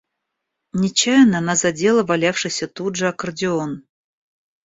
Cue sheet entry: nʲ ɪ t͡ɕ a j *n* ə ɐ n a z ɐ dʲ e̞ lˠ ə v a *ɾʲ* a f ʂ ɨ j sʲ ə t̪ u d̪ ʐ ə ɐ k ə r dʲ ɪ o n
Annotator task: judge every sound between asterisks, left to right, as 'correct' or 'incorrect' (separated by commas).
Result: correct, incorrect